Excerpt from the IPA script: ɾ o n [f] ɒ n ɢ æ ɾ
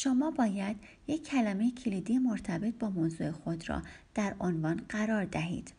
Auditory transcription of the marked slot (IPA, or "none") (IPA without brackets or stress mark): v